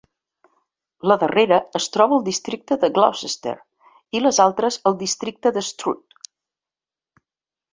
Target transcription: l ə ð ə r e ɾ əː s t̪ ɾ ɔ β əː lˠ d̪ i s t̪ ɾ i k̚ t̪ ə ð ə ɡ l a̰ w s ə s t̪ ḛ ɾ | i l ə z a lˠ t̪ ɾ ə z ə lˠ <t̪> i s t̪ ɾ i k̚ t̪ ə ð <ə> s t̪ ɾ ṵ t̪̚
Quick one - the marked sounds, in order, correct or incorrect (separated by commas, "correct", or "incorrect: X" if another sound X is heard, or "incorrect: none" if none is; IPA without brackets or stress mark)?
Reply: incorrect: d̪, correct